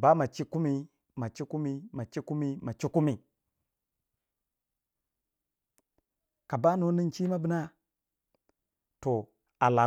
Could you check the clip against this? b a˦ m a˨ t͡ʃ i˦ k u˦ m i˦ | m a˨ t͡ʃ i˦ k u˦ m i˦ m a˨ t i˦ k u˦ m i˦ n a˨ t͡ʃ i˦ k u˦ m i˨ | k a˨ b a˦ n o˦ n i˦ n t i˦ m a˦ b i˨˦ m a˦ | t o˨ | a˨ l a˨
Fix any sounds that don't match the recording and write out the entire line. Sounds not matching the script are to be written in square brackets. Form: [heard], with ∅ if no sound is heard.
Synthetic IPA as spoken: b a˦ m a˨ t͡ʃ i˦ k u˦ m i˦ | m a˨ t͡ʃ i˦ k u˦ m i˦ m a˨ [t͡ʃ] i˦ k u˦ m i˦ [m] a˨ t͡ʃ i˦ k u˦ m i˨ | k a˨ b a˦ n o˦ n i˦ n [t͡ʃ] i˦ m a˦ b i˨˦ [n] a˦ | t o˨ | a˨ l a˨